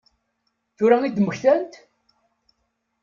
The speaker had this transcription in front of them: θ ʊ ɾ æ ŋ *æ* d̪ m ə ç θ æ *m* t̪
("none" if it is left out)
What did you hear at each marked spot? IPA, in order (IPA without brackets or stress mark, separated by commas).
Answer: i, n